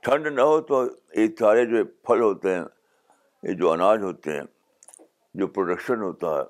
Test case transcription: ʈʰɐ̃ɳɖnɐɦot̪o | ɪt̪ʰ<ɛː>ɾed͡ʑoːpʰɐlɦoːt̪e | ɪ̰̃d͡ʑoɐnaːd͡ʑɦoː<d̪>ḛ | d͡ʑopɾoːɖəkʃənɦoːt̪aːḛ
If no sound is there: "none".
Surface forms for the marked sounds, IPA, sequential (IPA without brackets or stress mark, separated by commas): aː, t̪